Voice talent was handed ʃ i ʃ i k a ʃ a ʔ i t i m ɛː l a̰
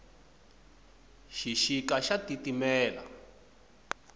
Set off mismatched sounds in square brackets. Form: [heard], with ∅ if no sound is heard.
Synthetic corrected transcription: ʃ i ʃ i k a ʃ a [t] i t i m ɛː l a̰